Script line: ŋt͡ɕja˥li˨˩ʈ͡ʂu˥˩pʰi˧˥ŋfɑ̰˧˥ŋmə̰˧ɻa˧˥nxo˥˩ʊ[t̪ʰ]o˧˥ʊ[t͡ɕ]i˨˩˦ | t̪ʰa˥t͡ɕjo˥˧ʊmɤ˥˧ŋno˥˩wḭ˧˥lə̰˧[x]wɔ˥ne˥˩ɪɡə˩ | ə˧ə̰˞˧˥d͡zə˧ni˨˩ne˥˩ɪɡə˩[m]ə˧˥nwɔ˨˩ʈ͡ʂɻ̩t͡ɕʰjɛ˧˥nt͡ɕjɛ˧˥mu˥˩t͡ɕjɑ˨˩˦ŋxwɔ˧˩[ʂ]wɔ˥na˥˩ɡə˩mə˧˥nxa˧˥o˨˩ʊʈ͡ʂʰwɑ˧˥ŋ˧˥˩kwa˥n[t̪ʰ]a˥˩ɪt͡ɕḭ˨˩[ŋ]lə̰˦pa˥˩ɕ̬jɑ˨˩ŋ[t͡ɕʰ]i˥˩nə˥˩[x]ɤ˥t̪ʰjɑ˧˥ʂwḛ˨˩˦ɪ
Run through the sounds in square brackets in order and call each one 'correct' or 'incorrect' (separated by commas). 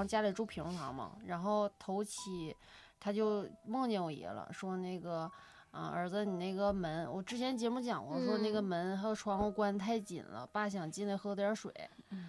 correct, incorrect, incorrect, correct, correct, correct, incorrect, incorrect, correct